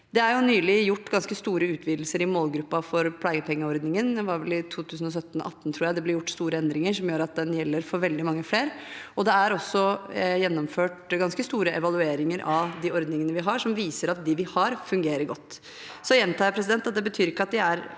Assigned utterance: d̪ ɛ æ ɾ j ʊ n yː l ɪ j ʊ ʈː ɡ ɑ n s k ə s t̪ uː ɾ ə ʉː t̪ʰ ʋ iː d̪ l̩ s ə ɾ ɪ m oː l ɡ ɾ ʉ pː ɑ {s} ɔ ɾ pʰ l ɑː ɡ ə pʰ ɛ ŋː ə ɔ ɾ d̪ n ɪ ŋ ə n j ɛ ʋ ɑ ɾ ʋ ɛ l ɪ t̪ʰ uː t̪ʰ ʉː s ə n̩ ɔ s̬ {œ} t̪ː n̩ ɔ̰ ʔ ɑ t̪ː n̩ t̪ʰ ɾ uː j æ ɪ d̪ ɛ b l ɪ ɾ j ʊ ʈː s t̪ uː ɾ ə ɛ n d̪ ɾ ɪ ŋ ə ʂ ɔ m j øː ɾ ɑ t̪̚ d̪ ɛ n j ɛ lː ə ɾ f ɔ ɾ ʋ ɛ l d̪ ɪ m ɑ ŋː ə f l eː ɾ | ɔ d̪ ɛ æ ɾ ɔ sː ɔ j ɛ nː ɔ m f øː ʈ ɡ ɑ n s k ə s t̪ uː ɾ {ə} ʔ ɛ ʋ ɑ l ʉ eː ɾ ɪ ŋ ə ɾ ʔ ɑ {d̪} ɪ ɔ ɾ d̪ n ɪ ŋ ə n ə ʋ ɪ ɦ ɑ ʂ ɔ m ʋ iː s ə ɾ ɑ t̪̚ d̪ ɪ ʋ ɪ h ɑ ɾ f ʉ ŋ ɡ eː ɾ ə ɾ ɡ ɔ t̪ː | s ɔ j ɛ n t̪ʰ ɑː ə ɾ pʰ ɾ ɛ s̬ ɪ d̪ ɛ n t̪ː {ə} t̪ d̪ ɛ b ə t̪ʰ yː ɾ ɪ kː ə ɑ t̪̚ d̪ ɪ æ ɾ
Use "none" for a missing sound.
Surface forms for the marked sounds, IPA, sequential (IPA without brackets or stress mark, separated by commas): f, œ, ə, d̪, ɑ